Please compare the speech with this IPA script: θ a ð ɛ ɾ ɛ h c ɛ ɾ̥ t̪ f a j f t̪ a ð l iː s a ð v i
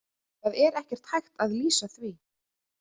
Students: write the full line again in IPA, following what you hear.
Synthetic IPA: θ a ð ɛ ɾ ɛ h c ɛ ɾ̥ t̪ h a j x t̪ a ð l iː s a θ v i